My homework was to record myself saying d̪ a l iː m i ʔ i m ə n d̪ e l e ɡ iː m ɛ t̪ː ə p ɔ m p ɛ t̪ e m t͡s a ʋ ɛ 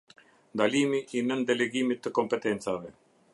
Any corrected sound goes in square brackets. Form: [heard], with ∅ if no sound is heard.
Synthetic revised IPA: d̪ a l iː m i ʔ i [n] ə n d̪ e l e ɡ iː m [i] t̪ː ə [k] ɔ m p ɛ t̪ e [n] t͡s a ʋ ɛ